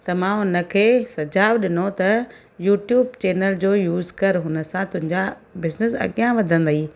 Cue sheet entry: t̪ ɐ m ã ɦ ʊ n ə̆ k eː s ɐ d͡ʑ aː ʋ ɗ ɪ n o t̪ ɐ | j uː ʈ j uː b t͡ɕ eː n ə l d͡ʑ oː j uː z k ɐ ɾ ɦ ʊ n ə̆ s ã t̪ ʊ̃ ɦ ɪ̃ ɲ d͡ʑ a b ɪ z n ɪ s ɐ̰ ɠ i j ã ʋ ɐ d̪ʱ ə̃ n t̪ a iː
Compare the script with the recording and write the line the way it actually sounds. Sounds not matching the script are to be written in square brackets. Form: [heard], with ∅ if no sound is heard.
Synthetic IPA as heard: t̪ ɐ m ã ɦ ʊ n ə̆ [kʰ] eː s ɐ d͡ʑ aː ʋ ɗ ɪ n o t̪ ɐ | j uː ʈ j uː b t͡ɕ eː n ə l d͡ʑ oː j uː z k ɐ ɾ ɦ ʊ n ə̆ s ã t̪ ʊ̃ ɦ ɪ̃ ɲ d͡ʑ a b ɪ z n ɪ s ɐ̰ ɠ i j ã ʋ ɐ d̪ʱ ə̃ n [d̪] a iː